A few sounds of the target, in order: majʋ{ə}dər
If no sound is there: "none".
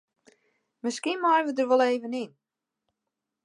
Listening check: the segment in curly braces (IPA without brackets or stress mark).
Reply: ə